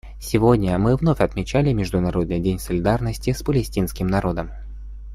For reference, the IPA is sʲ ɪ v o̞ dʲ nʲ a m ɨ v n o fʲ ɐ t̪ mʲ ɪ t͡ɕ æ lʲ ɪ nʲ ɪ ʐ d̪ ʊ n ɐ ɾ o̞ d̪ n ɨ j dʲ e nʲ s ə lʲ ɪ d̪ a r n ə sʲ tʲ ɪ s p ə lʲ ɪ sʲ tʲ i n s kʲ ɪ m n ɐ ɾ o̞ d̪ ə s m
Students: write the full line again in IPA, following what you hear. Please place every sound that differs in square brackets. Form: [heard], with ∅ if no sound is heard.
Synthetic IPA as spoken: sʲ ɪ v o̞ dʲ nʲ [ə] m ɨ v n o fʲ ɐ t̪ mʲ ɪ t͡ɕ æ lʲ ɪ [mʲ] ɪ ʐ d̪ ʊ n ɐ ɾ o̞ d̪ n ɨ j dʲ e nʲ s ə lʲ ɪ d̪ a r n ə sʲ tʲ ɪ s p ə lʲ ɪ sʲ tʲ i n s kʲ ɪ m n ɐ ɾ o̞ d̪ ə [∅] m